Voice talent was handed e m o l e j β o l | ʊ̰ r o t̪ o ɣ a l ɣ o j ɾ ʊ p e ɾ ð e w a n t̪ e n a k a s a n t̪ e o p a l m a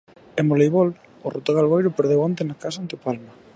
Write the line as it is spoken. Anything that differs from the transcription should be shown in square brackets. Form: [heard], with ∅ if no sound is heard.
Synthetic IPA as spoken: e m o l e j β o l | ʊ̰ r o t̪ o ɣ a l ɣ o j ɾ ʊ p e ɾ ð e w a n t̪ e n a k a s a n t̪ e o p a l m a